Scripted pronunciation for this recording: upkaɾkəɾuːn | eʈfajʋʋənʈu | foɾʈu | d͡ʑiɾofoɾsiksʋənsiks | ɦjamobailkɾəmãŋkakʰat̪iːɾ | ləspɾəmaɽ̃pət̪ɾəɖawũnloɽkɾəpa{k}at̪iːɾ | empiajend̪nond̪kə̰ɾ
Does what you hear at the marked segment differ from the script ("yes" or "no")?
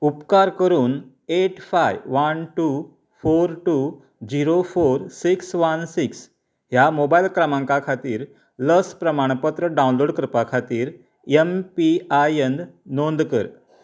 yes